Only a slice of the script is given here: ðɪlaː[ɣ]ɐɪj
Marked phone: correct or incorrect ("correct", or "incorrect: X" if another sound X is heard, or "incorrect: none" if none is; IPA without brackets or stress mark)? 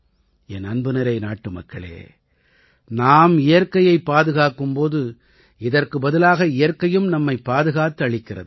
correct